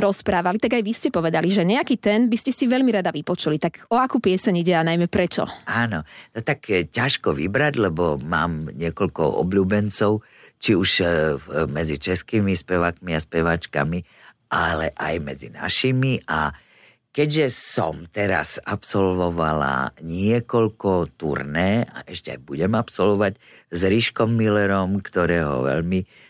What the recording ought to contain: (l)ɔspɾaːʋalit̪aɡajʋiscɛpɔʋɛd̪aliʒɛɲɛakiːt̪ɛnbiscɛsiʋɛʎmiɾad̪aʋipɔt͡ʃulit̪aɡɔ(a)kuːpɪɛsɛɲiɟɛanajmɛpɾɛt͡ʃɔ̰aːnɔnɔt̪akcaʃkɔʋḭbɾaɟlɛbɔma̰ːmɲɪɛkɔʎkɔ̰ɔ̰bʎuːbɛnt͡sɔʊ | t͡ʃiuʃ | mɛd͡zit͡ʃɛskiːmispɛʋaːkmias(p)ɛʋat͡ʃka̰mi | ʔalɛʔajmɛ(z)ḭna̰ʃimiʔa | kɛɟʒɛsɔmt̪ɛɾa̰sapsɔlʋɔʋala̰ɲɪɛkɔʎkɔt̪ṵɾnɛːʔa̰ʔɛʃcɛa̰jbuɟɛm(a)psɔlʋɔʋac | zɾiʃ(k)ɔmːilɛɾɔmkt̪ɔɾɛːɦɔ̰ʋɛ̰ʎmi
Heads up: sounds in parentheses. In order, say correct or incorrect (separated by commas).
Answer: incorrect, correct, correct, incorrect, correct, correct